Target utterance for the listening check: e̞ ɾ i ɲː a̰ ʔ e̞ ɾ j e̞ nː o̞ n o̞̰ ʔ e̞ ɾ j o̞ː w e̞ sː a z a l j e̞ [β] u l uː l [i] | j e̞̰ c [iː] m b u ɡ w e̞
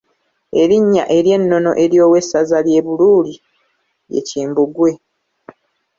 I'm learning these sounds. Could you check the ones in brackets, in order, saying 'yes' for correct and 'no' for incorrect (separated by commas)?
yes, yes, yes